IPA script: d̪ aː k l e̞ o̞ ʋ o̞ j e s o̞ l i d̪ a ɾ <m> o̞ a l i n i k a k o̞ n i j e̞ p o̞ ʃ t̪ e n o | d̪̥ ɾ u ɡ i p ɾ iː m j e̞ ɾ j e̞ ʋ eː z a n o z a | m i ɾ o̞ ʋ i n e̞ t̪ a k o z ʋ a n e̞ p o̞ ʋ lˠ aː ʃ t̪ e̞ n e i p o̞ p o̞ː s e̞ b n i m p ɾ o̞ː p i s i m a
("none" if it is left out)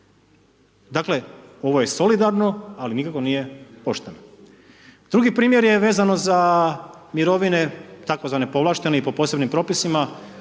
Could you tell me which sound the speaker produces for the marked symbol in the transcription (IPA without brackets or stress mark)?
n